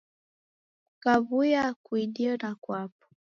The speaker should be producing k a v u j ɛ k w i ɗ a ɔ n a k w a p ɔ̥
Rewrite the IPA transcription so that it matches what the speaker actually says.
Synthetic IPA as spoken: k a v u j a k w i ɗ i ɔ n a k w a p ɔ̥